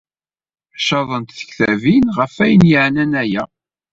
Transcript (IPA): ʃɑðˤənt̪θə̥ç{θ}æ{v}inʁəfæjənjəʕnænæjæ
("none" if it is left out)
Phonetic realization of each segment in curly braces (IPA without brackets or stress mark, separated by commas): θ, v